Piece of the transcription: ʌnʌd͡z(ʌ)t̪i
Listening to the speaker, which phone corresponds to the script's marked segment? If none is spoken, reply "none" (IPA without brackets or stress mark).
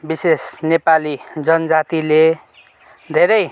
a